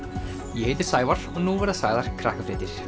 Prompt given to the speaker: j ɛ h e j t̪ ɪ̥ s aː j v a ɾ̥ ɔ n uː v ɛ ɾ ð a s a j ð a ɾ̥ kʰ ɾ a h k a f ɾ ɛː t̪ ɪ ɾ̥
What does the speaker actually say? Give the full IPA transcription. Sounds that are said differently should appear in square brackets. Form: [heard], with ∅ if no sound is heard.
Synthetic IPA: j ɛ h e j t̪ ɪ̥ s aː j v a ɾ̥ ɔ n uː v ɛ ɾ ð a s a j ð a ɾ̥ kʰ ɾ a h k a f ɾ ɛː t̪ ɪ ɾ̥